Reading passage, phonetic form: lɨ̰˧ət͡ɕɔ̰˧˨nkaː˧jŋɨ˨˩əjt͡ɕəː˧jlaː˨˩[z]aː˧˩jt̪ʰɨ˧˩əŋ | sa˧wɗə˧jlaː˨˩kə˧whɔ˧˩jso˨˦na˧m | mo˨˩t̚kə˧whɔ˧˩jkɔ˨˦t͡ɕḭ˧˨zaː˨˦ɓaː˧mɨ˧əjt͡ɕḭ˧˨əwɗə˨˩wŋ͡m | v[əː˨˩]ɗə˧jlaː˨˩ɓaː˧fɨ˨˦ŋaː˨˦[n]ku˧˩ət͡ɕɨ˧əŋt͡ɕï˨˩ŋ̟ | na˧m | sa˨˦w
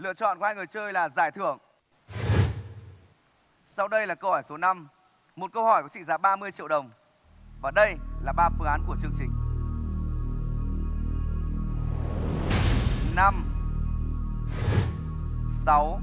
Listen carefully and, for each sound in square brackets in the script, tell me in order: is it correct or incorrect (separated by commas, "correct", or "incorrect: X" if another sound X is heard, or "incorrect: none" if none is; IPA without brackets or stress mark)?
correct, incorrect: aː˨˩, correct